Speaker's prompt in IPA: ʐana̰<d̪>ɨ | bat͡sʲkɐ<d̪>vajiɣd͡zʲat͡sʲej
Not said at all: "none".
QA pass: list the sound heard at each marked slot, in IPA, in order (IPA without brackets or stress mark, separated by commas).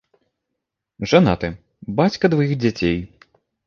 t̪, d̪